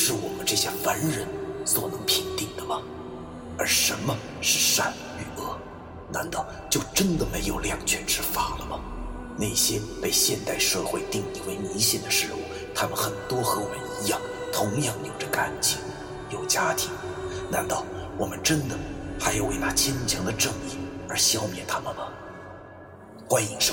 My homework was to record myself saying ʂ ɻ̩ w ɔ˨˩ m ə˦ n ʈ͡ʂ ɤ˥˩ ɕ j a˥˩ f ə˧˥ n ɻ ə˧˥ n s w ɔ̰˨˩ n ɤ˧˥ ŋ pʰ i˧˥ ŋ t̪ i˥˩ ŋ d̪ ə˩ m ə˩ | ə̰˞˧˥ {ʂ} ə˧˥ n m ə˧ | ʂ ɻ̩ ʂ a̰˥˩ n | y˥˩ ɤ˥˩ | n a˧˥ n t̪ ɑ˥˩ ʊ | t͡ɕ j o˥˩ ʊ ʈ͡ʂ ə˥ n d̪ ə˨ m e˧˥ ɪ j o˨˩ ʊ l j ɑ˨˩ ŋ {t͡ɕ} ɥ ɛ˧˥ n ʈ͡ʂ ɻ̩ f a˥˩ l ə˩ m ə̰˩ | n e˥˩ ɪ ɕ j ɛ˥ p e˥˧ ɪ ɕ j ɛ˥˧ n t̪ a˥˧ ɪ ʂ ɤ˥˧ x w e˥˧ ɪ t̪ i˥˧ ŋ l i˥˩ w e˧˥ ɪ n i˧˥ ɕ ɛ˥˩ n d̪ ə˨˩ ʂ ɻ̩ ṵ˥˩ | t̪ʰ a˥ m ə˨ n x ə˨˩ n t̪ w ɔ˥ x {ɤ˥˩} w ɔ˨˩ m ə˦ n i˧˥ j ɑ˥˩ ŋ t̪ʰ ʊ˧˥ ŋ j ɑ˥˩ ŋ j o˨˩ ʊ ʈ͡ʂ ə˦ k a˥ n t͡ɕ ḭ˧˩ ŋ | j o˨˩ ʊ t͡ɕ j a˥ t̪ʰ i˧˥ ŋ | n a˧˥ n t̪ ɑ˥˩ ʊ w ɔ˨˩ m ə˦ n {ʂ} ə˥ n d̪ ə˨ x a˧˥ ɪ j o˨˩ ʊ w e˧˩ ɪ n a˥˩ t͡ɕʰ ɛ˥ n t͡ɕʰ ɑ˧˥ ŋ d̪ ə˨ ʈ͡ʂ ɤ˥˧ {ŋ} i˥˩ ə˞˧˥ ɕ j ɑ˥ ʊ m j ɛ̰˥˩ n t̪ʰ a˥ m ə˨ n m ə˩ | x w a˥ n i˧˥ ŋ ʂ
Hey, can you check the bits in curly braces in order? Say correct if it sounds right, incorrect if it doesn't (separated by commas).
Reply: correct, incorrect, incorrect, incorrect, correct